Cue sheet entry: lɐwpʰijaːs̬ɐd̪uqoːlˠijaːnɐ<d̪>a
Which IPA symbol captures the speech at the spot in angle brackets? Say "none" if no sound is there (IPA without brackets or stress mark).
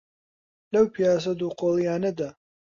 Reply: d̪